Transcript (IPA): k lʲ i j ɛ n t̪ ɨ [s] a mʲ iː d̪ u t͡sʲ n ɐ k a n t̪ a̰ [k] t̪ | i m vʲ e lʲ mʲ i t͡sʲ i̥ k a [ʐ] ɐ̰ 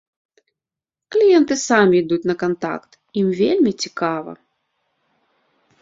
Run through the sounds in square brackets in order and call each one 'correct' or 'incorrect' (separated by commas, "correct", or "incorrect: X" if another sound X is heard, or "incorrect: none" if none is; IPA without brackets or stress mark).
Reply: correct, correct, incorrect: v